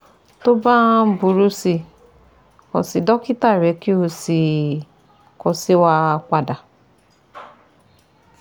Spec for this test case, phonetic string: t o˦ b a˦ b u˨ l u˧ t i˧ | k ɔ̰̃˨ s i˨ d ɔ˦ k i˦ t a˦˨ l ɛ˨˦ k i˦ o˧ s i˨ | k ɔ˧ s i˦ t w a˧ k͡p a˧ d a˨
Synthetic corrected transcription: t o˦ b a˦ b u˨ ɾ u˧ s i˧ | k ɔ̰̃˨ s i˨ d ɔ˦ k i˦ t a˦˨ ɾ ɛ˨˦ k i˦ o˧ s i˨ | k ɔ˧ s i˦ w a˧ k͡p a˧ d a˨